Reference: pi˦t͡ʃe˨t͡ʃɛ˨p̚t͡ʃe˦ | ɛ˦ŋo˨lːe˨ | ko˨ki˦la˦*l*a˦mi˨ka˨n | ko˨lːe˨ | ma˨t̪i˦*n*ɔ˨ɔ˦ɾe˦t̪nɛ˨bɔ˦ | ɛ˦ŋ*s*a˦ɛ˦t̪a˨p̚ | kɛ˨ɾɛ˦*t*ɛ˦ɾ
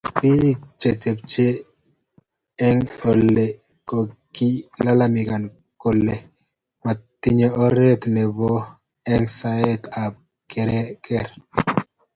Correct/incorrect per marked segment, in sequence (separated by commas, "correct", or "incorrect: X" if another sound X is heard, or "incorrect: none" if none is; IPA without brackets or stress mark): correct, incorrect: ɲ, correct, incorrect: k